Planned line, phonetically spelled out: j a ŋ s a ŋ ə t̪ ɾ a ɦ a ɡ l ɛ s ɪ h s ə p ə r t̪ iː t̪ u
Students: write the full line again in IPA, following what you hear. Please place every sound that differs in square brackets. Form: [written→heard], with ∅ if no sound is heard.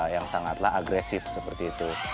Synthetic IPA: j a ŋ s a ŋ [ə→a] t̪ [ɾ→l] a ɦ a ɡ [l→ɾ] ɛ s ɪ [h→f] s ə p ə r t̪ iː t̪ u